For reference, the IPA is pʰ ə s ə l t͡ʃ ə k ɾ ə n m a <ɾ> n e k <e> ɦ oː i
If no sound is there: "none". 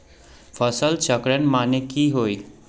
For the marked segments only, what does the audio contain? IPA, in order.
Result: none, i

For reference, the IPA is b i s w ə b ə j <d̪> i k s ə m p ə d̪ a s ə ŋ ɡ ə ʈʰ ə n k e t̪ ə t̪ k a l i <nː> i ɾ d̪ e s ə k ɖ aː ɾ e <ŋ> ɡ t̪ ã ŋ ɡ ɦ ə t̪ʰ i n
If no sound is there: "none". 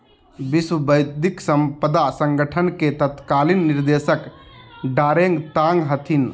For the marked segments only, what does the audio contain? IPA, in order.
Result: d̪, nː, ŋ

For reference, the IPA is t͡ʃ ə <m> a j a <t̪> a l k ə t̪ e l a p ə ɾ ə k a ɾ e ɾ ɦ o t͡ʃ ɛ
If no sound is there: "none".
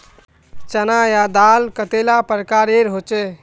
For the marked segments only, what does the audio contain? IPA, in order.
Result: n, d̪

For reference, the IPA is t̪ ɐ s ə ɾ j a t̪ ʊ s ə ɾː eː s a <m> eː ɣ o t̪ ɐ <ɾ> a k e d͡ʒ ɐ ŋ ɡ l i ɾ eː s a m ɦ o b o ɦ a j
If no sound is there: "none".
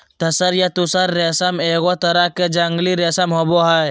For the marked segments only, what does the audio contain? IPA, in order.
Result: m, ɾ

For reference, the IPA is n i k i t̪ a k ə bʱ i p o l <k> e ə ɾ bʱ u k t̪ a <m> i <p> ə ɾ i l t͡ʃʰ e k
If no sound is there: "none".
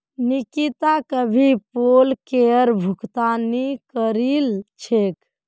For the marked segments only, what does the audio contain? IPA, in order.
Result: k, n, k

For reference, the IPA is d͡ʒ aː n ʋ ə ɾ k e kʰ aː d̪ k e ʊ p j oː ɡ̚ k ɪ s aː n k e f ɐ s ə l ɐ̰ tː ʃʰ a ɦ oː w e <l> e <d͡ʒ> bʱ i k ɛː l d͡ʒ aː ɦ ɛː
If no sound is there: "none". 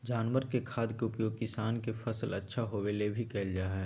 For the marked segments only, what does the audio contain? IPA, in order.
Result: l, none

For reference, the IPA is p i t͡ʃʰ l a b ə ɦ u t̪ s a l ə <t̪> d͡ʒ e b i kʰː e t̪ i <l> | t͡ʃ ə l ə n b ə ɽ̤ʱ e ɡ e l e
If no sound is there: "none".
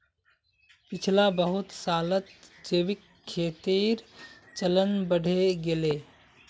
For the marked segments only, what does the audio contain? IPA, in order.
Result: t̪, ɾ

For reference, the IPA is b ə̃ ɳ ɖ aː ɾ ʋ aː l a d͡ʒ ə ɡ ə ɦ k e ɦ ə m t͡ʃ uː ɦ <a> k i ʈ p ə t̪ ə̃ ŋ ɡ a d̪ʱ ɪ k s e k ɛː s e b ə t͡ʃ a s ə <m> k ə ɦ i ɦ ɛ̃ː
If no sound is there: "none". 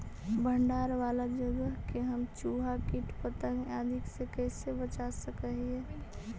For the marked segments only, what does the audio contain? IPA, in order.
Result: a, none

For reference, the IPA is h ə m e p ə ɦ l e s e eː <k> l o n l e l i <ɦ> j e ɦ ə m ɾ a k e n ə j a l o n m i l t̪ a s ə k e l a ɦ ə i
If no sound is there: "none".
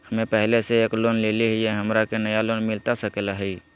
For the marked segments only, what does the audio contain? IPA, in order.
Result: k, ɦ

